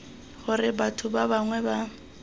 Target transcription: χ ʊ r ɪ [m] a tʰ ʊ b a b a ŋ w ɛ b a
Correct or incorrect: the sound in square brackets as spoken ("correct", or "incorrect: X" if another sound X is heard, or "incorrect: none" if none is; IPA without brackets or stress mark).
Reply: incorrect: b